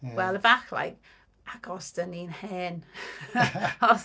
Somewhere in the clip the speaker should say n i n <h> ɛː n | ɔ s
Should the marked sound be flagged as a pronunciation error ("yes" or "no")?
no